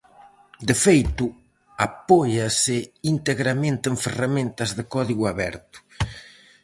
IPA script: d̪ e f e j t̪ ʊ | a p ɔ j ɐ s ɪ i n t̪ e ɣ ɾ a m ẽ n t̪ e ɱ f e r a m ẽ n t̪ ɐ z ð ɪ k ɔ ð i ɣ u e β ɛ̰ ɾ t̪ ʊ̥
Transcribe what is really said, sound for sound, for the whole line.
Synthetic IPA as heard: d̪ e f e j t̪ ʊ | a p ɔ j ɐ s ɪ i n t̪ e ɣ ɾ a m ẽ n t̪ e ɱ f e r a m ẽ n t̪ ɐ z ð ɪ k ɔ ð i ɣ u a β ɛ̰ ɾ t̪ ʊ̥